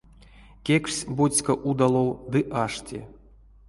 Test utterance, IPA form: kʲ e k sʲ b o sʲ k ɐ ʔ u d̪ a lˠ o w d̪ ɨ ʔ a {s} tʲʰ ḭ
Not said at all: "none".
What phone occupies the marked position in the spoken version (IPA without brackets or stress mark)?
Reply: ʂ